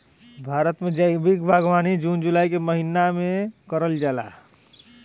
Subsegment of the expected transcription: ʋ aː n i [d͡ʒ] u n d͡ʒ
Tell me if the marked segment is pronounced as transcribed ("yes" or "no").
yes